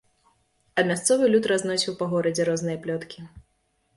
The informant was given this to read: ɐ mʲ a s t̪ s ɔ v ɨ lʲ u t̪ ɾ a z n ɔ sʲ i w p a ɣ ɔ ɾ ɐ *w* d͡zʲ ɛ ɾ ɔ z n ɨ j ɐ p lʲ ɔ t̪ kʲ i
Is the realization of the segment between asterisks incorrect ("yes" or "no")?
yes